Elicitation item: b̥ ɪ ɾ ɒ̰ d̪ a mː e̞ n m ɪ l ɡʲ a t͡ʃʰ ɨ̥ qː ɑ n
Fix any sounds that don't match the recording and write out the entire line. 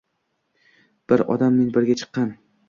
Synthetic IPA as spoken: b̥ ɪ ɾ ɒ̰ d̪ a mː e̞ n b ɪ ɾ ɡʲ a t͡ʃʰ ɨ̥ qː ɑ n